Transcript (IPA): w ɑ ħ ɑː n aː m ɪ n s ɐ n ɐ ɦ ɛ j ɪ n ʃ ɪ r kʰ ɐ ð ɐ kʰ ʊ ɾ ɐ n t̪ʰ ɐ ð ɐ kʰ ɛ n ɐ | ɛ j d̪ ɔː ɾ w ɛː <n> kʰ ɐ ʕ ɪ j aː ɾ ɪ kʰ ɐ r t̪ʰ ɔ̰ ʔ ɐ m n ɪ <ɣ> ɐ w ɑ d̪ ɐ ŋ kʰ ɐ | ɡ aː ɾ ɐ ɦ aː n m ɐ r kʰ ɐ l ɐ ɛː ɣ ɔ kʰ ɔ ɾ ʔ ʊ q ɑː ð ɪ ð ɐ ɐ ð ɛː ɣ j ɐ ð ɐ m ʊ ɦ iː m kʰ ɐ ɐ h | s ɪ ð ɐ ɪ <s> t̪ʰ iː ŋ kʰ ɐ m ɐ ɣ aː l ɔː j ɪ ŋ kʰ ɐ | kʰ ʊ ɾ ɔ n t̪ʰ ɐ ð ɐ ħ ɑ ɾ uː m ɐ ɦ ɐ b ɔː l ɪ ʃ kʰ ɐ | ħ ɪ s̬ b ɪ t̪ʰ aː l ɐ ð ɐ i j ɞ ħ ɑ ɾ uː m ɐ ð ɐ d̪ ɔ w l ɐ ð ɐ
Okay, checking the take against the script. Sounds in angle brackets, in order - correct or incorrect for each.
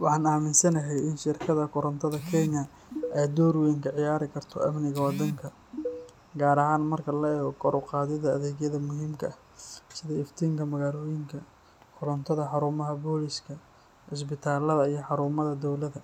incorrect: ŋ, correct, incorrect: f

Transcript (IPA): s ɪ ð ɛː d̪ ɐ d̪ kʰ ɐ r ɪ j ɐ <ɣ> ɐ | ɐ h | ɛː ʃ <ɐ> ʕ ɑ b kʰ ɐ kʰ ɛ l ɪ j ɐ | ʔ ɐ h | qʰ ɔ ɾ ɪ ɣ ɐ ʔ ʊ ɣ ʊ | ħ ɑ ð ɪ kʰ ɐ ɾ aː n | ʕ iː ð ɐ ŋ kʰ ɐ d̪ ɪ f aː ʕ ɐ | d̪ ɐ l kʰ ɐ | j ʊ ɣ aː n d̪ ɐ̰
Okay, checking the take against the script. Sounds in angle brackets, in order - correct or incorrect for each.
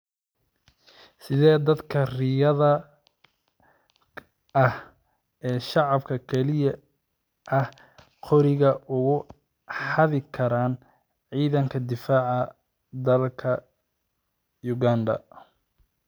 incorrect: ð, incorrect: ɑ

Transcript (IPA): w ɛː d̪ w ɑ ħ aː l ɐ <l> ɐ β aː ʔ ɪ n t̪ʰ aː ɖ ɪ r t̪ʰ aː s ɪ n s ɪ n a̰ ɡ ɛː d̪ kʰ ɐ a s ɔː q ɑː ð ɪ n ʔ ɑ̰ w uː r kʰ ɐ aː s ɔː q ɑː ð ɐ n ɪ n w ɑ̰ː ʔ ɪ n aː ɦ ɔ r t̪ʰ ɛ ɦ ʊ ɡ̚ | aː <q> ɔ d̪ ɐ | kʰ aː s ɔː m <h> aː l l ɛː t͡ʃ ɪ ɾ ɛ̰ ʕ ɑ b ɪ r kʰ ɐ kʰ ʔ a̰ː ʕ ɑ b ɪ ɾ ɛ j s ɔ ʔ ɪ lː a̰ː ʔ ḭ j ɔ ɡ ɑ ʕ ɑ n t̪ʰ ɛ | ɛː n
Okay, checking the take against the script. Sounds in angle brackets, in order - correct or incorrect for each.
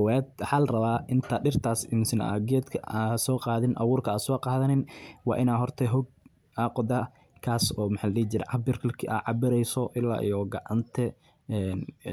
incorrect: r, correct, incorrect: ħ

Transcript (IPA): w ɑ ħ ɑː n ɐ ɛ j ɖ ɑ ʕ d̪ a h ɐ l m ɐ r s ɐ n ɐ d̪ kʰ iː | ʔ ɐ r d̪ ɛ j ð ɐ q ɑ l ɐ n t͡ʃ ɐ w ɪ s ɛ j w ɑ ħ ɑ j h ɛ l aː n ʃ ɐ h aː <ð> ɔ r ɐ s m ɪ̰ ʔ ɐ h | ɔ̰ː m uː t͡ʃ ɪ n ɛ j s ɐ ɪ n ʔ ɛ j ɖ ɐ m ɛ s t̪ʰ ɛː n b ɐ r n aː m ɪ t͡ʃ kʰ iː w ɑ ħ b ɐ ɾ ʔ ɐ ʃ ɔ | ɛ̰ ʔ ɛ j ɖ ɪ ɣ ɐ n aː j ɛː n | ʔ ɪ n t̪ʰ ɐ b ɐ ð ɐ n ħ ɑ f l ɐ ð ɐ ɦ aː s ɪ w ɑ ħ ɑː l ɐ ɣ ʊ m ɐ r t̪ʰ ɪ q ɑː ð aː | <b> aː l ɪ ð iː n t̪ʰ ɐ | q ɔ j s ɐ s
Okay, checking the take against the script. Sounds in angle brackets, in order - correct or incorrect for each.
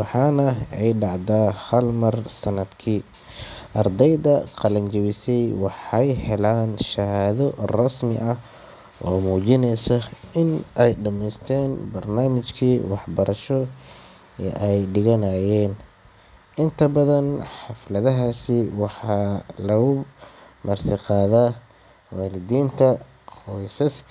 correct, incorrect: w

